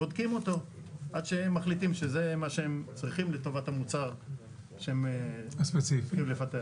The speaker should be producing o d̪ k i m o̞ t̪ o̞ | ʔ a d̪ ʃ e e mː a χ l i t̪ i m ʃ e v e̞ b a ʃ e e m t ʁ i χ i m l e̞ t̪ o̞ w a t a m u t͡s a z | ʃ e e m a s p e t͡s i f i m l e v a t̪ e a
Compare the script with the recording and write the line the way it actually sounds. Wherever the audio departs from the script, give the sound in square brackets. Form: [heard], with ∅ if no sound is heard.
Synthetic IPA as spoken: o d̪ k i m o̞ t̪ o̞ | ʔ a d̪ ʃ e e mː a χ l i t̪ i m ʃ e [z] e̞ [m] a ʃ e e m [t͡s] ʁ i χ i m l e̞ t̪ o̞ [v] a t a m u t͡s a [ʁ] | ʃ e e m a s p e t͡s i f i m l e [f] a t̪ e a